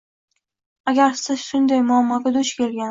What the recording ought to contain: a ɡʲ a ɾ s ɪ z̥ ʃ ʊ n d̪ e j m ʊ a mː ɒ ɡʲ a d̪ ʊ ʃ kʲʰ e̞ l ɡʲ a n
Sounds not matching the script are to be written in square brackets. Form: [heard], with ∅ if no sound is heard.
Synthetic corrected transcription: a ɡʲ a ɾ s ɪ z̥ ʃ ʊ n d̪ [a] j m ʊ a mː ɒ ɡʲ a d̪ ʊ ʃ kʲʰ e̞ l ɡʲ a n